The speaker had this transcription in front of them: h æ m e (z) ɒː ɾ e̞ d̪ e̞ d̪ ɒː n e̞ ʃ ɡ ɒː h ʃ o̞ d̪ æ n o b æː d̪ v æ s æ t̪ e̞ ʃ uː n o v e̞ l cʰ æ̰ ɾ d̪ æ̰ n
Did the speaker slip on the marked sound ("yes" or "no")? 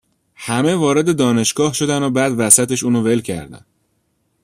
yes